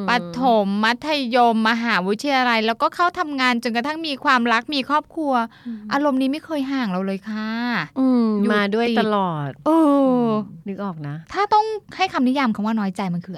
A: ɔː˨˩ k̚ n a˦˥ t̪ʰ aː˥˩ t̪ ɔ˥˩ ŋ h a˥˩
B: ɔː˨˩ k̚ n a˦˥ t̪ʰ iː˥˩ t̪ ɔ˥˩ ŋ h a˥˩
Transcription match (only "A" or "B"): A